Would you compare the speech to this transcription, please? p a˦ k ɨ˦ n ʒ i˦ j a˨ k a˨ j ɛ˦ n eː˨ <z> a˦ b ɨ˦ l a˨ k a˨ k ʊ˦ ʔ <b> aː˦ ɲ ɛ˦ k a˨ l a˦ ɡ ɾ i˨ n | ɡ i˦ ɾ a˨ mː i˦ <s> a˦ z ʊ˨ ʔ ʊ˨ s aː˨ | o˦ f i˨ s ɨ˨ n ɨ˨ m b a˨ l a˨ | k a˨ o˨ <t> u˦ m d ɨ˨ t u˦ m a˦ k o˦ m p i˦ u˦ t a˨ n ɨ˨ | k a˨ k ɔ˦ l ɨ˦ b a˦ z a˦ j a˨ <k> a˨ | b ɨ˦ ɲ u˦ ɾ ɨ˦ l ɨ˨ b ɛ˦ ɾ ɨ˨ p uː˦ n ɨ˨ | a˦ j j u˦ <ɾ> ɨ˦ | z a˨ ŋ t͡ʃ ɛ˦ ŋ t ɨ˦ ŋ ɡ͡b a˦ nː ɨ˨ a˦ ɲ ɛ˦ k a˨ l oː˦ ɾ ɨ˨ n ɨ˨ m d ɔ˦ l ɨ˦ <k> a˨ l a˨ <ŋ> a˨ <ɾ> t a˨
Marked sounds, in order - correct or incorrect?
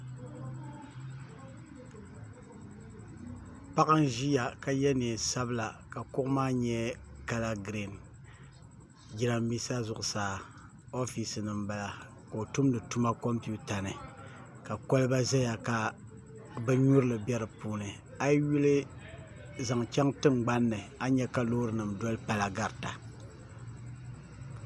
incorrect: s, incorrect: m, correct, correct, correct, incorrect: l, incorrect: p, incorrect: ɡ, correct

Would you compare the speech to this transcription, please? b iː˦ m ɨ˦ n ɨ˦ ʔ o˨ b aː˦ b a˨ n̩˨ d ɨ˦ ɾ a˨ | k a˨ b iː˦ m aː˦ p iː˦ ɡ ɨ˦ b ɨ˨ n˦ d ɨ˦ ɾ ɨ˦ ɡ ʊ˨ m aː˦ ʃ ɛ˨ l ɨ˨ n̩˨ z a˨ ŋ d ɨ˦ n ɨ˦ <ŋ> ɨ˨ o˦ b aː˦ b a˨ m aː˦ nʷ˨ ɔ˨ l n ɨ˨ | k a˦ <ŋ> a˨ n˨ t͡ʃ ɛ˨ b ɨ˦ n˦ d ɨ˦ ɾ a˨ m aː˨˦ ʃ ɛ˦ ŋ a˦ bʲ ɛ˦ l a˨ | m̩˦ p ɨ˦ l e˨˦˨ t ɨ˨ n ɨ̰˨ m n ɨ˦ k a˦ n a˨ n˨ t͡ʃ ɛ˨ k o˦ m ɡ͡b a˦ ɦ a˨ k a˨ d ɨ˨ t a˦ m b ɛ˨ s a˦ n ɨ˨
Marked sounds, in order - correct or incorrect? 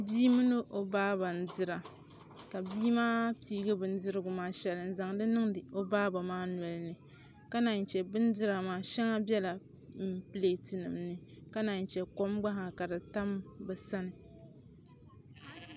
correct, incorrect: n

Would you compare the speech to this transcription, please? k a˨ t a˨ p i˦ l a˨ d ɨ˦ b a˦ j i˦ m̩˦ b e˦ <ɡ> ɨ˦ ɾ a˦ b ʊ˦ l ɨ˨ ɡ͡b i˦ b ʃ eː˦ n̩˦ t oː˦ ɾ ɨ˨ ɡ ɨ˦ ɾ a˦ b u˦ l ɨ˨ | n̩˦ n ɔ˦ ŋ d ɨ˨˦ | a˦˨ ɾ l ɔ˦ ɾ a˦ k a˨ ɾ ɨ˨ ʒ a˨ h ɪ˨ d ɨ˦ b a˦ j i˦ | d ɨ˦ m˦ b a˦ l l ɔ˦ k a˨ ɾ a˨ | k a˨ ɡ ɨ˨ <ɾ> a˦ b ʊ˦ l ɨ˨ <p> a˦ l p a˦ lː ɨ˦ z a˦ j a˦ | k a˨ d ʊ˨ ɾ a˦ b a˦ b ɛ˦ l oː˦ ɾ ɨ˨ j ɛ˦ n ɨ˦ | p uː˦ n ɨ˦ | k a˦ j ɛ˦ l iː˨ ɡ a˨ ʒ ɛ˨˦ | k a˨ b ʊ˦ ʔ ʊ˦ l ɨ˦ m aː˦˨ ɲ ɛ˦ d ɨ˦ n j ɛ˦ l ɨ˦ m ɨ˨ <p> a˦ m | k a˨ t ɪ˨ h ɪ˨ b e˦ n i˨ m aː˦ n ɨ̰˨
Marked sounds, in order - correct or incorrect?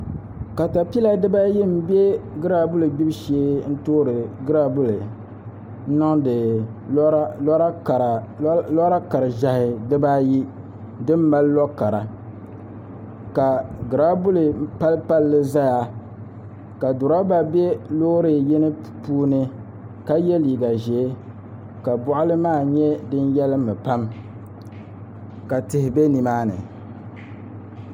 correct, correct, correct, correct

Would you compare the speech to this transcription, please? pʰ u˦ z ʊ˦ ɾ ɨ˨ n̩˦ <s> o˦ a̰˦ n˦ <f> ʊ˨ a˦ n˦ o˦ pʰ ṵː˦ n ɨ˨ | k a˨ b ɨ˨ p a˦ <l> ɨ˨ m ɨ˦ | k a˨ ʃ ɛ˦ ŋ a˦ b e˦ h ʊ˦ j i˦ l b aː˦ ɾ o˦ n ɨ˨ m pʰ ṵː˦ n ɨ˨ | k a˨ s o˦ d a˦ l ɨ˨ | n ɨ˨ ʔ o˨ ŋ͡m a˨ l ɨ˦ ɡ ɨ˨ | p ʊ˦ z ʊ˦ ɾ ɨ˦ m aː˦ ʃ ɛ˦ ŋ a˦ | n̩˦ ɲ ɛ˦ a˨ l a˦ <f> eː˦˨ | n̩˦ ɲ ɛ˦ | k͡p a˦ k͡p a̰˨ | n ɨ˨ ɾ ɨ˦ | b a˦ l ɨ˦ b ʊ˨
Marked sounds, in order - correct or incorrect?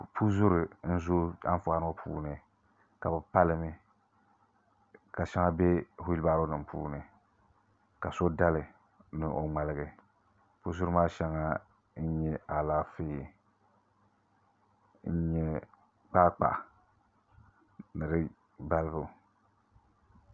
incorrect: z, correct, correct, correct

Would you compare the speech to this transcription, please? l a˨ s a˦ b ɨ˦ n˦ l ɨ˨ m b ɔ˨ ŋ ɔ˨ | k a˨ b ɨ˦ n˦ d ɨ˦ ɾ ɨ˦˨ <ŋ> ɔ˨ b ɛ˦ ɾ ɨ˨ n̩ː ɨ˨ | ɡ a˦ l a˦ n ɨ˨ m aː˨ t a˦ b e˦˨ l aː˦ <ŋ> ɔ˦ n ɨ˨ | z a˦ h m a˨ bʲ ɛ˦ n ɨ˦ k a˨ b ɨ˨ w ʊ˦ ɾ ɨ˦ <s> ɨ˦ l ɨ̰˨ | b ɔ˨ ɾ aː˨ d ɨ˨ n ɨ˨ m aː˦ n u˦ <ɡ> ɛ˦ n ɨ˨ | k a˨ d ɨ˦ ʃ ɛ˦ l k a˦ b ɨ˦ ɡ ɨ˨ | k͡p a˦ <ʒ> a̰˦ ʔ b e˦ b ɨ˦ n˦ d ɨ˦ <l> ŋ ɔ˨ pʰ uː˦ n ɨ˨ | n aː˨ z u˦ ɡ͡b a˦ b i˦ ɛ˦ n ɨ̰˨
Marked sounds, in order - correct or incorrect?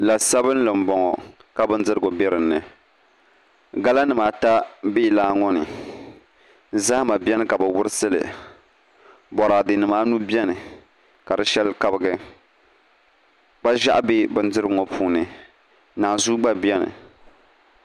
incorrect: ɡ, correct, correct, incorrect: b, correct, incorrect: ɾ

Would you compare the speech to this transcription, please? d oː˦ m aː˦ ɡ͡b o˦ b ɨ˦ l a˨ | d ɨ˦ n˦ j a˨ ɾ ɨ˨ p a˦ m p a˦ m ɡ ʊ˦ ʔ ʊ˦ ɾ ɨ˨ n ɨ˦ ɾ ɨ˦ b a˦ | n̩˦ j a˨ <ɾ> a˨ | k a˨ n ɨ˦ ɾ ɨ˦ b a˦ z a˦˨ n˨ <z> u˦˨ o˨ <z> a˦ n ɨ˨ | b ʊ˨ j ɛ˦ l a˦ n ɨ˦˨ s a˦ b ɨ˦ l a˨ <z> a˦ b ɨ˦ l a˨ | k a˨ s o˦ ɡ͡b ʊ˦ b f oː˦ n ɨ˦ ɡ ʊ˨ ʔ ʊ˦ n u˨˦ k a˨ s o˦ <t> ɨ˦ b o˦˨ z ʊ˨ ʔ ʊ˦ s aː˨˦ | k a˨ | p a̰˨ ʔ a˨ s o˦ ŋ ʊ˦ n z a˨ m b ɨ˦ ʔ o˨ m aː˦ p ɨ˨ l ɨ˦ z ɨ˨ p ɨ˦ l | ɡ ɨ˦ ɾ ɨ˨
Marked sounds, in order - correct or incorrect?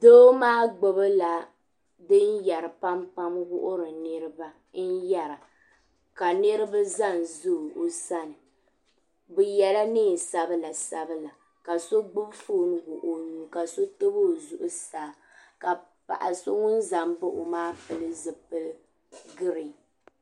correct, correct, incorrect: s, incorrect: s, correct

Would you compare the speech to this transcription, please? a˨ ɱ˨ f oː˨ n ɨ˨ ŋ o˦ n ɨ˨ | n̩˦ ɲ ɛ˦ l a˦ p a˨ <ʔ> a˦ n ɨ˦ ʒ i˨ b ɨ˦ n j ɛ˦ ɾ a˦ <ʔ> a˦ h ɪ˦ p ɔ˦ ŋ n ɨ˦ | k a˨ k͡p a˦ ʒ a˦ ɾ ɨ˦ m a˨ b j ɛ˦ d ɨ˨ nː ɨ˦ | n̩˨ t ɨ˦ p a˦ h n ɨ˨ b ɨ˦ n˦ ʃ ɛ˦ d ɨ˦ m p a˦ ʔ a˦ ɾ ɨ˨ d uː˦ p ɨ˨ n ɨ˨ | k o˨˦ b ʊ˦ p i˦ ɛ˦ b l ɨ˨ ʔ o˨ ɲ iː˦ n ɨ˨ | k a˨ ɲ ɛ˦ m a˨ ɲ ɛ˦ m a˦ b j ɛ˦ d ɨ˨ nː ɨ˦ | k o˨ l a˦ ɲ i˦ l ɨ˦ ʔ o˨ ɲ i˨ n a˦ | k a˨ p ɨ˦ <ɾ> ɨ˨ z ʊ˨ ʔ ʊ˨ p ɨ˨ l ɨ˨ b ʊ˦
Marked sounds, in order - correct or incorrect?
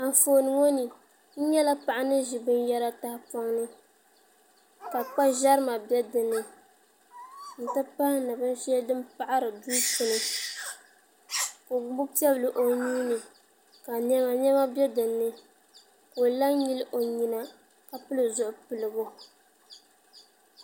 correct, incorrect: t, incorrect: l

